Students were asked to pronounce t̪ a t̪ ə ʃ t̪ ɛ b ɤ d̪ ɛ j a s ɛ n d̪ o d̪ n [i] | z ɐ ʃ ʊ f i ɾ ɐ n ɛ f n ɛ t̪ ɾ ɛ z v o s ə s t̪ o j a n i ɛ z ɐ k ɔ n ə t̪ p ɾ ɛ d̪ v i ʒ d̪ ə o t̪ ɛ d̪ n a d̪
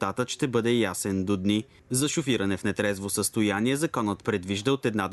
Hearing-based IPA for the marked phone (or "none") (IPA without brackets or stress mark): i